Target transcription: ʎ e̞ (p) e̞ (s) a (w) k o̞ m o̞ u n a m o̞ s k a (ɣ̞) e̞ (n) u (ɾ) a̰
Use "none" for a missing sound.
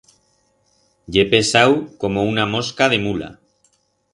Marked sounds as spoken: p, s, w, ð̞, m, l

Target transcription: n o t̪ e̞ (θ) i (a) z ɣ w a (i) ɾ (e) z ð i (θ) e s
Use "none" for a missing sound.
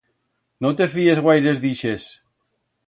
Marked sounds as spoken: f, e, j, e, ʃ

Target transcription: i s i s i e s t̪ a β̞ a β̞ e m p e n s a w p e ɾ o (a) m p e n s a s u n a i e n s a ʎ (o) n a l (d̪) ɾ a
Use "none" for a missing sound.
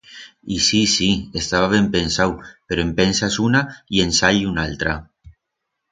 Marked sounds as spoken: e, u, t̪

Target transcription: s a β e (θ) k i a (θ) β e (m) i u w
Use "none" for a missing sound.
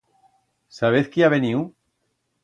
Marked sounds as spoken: θ, none, n

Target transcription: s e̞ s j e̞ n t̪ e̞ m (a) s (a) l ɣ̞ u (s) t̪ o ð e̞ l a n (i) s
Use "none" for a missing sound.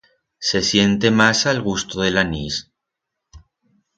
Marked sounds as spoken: a, a, s, i

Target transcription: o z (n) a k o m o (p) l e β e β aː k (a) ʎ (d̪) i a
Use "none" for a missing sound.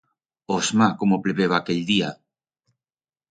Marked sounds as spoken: m, p, e, d̪

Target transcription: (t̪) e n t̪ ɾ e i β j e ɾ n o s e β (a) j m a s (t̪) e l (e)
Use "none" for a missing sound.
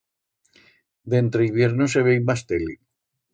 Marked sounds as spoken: d̪, e, t̪, i

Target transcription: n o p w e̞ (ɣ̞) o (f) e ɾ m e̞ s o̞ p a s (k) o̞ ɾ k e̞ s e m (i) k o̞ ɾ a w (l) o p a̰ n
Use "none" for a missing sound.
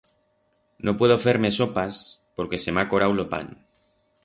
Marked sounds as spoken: ð̞, f, p, a, l

